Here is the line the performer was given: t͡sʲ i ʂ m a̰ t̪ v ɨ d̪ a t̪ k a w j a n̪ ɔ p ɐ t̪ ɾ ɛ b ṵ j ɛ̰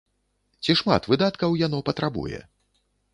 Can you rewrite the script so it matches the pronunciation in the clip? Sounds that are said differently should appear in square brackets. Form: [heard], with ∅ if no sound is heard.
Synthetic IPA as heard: t͡sʲ i ʂ m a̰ t̪ v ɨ d̪ a t̪ k [ɐ] w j a n̪ ɔ p ɐ t̪ ɾ [a] b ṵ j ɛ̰